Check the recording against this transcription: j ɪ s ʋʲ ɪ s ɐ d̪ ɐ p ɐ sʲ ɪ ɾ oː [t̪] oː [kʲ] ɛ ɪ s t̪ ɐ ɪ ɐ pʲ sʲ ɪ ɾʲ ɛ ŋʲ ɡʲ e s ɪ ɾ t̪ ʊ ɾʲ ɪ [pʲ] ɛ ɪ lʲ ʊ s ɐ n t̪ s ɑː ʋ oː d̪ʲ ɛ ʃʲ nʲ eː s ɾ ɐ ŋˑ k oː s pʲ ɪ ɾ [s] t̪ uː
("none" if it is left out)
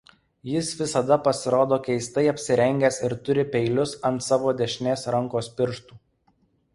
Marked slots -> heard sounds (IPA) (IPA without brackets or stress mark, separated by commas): d̪, kʲ, pʲ, ʃ